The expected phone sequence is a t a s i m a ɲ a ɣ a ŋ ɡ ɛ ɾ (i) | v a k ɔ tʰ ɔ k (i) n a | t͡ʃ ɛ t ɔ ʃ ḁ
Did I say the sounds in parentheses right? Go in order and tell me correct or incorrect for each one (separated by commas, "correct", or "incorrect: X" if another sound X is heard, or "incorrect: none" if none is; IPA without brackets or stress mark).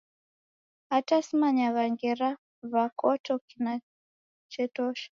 incorrect: a, correct